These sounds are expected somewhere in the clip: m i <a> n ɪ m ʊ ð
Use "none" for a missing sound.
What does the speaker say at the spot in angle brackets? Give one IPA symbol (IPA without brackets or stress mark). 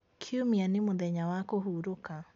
a